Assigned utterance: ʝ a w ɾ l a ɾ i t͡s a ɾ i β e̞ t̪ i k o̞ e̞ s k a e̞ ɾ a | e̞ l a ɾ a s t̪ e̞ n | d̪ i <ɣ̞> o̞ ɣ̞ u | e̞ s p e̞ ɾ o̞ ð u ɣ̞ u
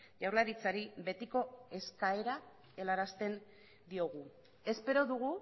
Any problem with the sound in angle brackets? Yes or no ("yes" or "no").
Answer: yes